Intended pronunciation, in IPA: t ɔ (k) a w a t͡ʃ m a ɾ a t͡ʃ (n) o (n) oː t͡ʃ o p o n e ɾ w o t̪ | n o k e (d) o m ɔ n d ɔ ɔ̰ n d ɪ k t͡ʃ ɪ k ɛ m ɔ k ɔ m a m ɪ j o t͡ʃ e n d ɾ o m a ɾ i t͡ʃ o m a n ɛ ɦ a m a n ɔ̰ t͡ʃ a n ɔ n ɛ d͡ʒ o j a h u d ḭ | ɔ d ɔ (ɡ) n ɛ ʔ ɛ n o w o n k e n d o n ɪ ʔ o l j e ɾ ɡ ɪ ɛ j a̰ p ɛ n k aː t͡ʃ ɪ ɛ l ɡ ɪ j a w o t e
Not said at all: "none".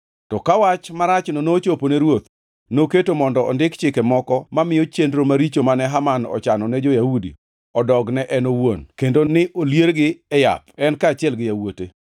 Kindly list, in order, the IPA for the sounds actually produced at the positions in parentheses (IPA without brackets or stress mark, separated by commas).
k, n, n, t, ɡ